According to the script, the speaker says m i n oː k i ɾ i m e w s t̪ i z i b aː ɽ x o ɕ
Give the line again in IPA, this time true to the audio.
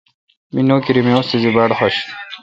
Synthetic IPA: m i n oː k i ɾ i m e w s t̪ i z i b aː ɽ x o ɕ